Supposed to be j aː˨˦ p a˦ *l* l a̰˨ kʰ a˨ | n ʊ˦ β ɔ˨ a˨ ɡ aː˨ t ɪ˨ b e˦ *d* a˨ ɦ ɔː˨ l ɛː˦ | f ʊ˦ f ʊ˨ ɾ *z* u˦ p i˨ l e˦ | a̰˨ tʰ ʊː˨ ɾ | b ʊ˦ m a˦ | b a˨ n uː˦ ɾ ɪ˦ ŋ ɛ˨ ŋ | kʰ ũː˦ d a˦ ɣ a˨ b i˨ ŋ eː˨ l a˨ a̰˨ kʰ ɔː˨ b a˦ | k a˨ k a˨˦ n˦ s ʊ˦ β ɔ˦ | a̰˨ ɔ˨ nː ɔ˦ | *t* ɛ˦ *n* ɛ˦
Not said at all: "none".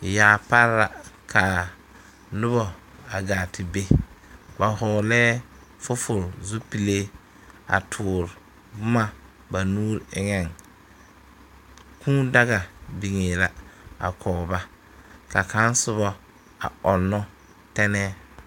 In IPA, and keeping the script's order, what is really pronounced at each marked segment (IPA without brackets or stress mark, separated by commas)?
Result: ɾ, b, z, t, n